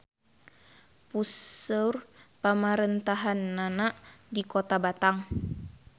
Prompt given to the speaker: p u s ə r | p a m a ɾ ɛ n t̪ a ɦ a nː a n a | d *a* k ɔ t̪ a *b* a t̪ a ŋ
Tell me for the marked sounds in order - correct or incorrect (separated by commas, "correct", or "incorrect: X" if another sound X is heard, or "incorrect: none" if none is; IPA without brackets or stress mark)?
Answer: incorrect: i, correct